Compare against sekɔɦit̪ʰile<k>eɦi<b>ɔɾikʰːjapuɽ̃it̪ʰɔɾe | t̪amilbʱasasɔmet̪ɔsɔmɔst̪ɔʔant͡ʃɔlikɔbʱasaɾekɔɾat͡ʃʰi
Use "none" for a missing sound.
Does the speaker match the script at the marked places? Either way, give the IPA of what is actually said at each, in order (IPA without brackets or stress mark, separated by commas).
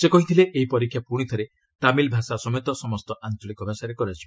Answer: ʔ, p